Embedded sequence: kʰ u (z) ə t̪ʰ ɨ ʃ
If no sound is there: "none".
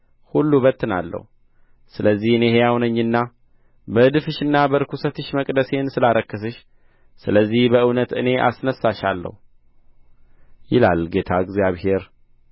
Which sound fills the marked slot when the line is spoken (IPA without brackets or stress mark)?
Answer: s